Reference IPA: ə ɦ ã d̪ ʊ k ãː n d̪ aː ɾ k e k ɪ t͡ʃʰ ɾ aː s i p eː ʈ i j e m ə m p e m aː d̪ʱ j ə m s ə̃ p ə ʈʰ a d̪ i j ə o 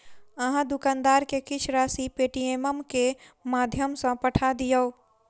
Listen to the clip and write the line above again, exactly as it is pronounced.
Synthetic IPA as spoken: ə ɦ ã d̪ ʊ k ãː n d̪ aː ɾ k e k ɪ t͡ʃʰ ɾ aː s i p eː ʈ i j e m ə m k e m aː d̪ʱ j ə m s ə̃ p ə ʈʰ a d̪ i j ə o